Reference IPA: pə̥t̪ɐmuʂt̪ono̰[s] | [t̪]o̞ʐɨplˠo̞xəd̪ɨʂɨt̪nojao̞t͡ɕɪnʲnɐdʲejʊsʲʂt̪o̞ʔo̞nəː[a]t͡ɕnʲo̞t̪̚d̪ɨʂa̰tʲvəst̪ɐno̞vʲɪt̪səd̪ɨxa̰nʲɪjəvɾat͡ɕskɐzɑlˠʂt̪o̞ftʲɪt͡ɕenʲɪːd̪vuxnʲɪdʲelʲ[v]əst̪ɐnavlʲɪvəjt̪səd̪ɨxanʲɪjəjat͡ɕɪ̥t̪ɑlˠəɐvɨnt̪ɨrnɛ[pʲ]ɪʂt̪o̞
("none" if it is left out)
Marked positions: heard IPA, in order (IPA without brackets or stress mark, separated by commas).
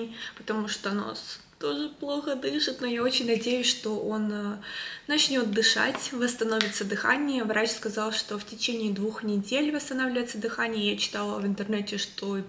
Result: s, t̪, ɐ, v, tʲ